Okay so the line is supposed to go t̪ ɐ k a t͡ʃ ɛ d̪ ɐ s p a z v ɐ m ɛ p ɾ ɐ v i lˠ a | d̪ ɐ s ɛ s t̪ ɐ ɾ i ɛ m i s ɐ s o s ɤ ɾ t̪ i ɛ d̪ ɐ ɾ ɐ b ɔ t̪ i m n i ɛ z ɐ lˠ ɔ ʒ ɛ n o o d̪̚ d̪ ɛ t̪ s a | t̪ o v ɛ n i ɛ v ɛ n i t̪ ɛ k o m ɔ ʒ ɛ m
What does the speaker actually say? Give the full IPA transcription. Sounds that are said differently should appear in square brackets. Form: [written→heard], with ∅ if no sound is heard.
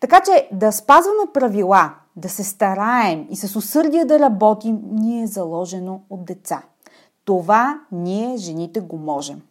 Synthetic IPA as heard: t̪ ɐ k a t͡ʃ ɛ d̪ ɐ s p a z v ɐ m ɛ p ɾ ɐ v i lˠ a | d̪ ɐ s ɛ s t̪ ɐ ɾ [i→a] ɛ m i s ɐ s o s ɤ ɾ [t̪→d̪] i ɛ d̪ ɐ ɾ ɐ b ɔ t̪ i m n i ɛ z ɐ lˠ ɔ ʒ ɛ n o o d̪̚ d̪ ɛ t̪ s a | t̪ o v [ɛ→a] n i ɛ [v→ʒ] ɛ n i t̪ ɛ [k→ɡ] o m ɔ ʒ ɛ m